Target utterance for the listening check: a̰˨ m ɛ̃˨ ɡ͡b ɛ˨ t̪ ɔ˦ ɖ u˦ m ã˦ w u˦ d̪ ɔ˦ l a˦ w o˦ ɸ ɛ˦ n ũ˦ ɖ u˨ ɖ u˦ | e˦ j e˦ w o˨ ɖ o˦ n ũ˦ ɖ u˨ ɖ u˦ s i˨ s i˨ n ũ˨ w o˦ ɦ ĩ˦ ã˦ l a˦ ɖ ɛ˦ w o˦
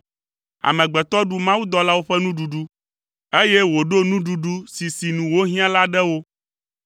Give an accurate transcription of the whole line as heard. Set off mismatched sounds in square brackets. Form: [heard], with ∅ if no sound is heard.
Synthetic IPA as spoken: a̰˨ m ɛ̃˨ ɡ͡b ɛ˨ t̪ ɔ˦ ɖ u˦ m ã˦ w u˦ d̪ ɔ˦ l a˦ w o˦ ɸ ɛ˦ n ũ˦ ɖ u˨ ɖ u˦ | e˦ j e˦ w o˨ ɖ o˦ n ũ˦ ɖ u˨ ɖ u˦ s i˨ s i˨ n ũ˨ w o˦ ɦ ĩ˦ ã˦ l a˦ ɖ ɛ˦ w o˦